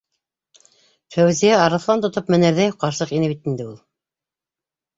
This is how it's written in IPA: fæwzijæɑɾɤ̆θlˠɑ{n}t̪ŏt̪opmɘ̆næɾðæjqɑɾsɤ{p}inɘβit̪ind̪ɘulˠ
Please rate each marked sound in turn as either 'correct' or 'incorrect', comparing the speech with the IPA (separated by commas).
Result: correct, incorrect